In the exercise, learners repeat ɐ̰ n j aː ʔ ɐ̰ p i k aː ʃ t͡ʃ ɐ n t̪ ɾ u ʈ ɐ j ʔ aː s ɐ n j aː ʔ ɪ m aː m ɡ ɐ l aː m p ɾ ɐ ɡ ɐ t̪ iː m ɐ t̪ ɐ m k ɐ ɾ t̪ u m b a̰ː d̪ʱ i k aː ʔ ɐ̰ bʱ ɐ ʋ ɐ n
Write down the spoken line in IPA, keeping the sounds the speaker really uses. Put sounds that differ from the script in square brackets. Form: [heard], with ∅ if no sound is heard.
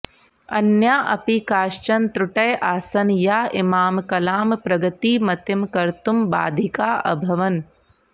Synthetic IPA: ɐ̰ n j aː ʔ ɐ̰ p i k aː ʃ t͡ʃ ɐ n t̪ ɾ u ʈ ɐ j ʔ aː s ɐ n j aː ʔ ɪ m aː m [k] ɐ l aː m p ɾ ɐ ɡ ɐ t̪ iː m ɐ t̪ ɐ m k ɐ ɾ t̪ u m b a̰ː d̪ʱ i k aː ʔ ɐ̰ bʱ ɐ ʋ ɐ n